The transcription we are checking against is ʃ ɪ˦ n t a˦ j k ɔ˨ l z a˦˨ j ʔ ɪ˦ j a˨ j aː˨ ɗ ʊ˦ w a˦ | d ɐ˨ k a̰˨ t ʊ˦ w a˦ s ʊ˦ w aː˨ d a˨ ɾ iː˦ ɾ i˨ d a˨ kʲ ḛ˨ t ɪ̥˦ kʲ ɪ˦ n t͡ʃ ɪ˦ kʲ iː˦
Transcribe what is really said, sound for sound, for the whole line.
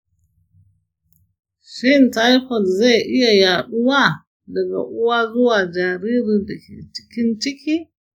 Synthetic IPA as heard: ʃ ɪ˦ n t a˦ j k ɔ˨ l z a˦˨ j ʔ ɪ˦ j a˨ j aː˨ ɗ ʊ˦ w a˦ | d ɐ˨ ɡ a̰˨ ʔ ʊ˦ w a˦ z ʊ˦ w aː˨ d͡ʒ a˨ ɾ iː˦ ɾ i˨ d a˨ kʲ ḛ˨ t͡ʃ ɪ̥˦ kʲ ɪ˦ n t͡ʃ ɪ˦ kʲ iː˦